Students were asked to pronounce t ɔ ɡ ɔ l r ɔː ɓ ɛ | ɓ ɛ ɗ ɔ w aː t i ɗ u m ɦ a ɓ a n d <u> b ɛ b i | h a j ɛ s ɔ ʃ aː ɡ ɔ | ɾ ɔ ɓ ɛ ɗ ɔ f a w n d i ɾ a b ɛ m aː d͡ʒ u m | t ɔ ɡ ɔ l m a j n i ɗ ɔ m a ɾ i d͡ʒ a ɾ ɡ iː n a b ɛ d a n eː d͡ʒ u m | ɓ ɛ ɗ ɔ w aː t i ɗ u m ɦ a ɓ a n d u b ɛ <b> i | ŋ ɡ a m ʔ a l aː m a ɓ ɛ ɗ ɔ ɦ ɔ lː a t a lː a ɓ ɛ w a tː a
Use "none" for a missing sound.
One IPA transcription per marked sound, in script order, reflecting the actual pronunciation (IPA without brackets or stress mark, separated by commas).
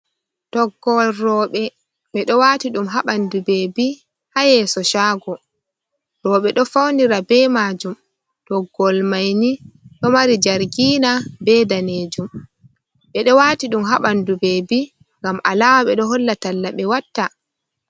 u, b